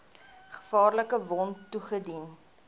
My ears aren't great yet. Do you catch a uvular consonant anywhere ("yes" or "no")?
yes